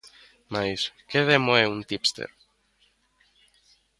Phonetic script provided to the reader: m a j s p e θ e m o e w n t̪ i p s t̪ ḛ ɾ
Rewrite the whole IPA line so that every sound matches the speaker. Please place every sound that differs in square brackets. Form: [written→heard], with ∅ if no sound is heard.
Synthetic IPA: m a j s [p→k] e [θ→ð] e m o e [w→u] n t̪ i p s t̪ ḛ ɾ